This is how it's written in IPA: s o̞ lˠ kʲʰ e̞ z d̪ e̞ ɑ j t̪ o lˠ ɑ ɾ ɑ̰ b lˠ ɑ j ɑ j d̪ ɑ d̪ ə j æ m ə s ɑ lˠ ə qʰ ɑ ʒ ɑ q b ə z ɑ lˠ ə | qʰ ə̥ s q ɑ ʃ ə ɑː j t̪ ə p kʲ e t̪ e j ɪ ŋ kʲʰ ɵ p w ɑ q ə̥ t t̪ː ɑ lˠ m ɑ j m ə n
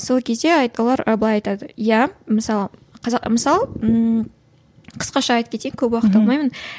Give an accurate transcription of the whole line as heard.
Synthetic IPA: s o̞ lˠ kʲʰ e̞ z d̪ e̞ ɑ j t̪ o lˠ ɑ ɾ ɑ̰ b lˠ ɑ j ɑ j t̪ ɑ d̪ ə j æ m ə s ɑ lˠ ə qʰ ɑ z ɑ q m ə s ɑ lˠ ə | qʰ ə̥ s q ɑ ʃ ɑ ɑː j t̪ ə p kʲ e t̪ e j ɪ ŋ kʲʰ ɵ p w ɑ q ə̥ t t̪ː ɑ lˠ m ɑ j m ə n